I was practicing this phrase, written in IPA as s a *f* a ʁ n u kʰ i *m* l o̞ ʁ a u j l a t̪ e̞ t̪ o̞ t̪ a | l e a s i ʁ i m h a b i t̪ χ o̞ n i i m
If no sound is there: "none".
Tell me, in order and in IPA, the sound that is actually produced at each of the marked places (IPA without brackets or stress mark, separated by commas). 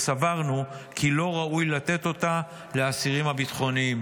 v, none